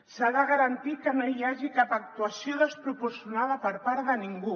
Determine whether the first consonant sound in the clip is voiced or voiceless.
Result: voiceless